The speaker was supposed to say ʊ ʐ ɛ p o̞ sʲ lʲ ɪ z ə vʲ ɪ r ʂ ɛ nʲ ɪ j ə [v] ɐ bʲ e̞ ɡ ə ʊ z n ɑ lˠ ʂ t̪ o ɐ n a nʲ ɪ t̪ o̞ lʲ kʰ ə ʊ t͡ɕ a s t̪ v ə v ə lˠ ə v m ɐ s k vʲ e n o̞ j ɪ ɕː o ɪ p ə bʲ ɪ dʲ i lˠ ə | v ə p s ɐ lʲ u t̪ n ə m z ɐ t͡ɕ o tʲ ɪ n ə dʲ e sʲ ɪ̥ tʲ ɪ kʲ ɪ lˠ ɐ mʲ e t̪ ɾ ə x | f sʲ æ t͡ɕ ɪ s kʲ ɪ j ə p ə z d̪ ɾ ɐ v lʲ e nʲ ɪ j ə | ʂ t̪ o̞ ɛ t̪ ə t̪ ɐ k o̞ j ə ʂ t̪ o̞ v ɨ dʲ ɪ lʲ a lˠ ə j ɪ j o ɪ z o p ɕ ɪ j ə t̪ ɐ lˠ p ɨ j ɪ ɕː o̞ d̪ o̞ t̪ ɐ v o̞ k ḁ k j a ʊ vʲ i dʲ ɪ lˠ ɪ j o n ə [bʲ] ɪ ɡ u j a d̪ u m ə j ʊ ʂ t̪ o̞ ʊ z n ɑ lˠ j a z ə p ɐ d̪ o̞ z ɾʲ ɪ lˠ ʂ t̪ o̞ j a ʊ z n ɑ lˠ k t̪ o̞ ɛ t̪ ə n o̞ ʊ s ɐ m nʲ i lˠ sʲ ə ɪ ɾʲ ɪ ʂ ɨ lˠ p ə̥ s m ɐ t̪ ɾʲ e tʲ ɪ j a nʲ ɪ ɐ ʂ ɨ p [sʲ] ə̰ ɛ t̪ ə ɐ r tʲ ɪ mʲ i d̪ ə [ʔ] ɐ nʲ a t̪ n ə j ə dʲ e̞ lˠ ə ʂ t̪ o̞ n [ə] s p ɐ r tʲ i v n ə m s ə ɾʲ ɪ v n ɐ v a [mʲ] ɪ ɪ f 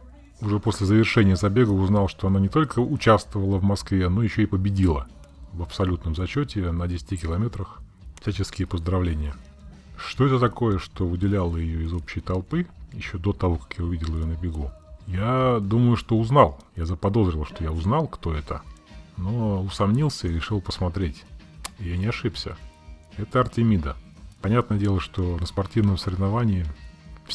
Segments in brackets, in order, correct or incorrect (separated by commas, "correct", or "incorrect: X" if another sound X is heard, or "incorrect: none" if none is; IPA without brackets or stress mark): incorrect: z, correct, correct, incorrect: p, correct, incorrect: nʲ